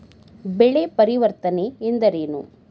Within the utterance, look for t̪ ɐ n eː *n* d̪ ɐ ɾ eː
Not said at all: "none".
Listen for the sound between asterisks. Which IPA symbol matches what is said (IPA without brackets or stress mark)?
n